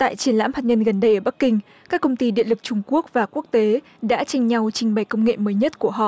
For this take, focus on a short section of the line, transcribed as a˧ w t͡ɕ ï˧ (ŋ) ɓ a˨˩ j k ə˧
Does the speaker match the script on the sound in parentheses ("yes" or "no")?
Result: yes